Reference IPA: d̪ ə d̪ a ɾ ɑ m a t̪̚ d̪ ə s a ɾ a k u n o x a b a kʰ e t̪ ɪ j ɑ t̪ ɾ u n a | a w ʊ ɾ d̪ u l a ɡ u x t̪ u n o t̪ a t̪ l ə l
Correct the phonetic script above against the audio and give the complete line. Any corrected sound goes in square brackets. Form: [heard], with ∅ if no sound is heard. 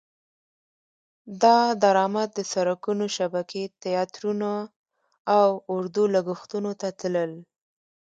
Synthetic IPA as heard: d̪ [ɑ] d̪ a ɾ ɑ m a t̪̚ d̪ ə s a ɾ a k u n o [ʃ] a b a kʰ e t̪ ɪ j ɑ t̪ ɾ u n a | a w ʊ ɾ d̪ u l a ɡ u x t̪ u n o t̪ a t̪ l ə l